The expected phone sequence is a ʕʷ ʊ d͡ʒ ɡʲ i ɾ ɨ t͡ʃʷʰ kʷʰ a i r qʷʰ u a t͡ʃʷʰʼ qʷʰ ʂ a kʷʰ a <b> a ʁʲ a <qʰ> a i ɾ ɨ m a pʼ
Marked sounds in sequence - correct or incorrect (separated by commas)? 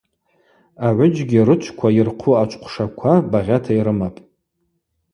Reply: correct, incorrect